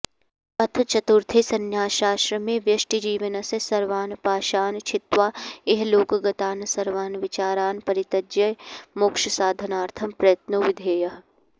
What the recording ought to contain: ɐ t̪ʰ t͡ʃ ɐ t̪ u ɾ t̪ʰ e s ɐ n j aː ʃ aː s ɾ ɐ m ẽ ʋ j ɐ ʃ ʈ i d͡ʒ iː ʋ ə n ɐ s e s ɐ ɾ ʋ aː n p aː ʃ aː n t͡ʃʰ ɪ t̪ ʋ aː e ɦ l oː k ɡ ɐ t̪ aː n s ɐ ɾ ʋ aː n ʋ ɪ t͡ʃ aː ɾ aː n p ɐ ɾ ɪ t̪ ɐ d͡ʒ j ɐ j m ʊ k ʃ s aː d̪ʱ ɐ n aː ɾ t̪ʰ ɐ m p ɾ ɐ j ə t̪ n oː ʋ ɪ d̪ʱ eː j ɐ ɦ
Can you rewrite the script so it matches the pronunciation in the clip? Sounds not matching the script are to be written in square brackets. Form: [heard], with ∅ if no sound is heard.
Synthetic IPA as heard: ɐ t̪ʰ t͡ʃ ɐ t̪ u ɾ t̪ʰ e s ɐ n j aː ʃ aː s ɾ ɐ m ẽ ʋ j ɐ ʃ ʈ i d͡ʒ iː ʋ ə n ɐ s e s ɐ ɾ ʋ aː n p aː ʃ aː n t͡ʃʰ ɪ t̪ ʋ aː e ɦ l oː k ɡ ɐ t̪ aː n s ɐ ɾ ʋ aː n ʋ ɪ t͡ʃ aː ɾ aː n p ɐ ɾ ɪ t̪ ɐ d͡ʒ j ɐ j m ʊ k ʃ s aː d̪ʱ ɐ n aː ɾ t̪ʰ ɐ m p ɾ ɐ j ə t̪ n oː ʋ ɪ d̪ʱ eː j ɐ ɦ